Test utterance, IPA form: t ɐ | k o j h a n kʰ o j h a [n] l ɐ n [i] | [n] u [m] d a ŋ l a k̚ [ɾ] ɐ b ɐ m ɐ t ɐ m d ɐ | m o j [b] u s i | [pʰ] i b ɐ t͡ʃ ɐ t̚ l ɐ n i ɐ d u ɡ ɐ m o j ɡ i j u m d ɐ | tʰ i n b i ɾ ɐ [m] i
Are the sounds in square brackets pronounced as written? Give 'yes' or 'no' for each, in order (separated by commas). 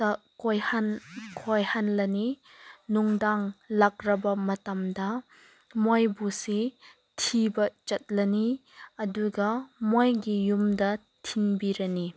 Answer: yes, yes, yes, no, yes, yes, no, no